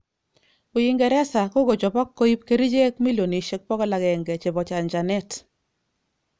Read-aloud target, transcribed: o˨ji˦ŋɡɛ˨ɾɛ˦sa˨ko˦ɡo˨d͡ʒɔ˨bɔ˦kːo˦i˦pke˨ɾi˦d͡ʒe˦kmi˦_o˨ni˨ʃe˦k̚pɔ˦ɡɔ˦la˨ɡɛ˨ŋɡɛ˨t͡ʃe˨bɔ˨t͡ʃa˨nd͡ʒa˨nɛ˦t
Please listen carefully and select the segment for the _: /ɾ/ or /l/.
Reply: l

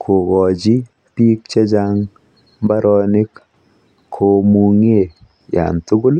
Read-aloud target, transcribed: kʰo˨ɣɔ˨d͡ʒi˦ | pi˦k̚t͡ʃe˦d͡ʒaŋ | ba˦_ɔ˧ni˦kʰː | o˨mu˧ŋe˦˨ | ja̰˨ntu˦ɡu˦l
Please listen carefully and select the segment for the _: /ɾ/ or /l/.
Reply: ɾ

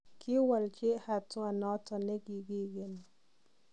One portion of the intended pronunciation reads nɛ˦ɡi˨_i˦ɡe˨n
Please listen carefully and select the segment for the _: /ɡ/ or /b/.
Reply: ɡ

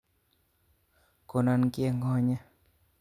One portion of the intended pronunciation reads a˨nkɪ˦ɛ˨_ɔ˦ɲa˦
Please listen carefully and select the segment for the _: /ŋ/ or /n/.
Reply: ŋ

